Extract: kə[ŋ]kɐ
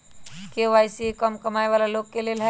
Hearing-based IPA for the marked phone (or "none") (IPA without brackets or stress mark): m